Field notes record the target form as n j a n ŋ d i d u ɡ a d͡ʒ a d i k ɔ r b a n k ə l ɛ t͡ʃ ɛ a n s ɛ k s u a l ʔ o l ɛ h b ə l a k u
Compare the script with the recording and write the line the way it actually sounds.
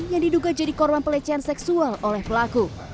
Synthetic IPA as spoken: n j a ŋ d i d u ɡ a d͡ʒ a d i k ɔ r b a n p ə l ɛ t͡ʃ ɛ a n s ɛ k s u a l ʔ o l ɛ h p ə l a k u